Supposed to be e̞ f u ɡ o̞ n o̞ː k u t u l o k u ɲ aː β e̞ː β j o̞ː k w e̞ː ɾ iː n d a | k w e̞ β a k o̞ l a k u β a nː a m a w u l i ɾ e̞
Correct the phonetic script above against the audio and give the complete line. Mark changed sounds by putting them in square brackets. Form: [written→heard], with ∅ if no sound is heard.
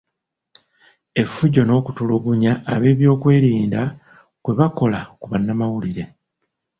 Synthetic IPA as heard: e̞ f u [ɡ→ɟ] o̞ n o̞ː k u t u l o [k→ɡ] u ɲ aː β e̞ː β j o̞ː k w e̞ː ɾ iː n d a | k w e̞ β a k o̞ l a k u β a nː a m a w u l i ɾ e̞